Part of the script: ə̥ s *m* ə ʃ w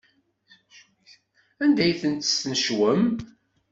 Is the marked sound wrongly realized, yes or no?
yes